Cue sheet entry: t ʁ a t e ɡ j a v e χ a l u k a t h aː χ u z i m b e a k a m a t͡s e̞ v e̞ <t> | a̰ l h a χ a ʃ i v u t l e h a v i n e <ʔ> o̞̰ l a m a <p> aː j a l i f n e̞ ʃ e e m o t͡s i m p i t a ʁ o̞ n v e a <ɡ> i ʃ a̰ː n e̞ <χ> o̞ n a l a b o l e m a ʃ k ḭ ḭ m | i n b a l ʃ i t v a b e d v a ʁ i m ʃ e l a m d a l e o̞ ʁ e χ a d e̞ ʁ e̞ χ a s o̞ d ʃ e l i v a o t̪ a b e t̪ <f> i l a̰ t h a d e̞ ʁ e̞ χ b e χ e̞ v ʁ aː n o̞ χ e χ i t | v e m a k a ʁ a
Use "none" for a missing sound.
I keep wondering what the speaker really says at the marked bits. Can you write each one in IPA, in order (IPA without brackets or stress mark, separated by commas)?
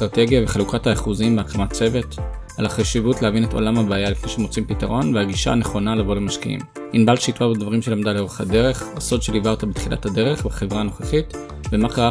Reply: t, t, b, ɡ, χ, χ